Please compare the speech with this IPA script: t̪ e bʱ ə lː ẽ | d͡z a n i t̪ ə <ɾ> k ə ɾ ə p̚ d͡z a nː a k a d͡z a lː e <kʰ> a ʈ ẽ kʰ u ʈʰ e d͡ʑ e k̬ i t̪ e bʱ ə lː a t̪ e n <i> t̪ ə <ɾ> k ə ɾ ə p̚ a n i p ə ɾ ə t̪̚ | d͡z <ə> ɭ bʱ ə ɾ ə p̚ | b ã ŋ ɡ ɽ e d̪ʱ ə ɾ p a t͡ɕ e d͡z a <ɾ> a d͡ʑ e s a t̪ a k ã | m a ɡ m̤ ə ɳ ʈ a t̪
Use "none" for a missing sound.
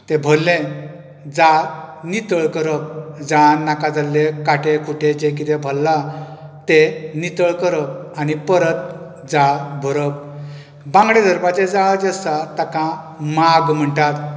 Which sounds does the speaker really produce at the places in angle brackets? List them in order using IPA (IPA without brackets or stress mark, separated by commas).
ɭ, k, i, ɭ, a, ɭ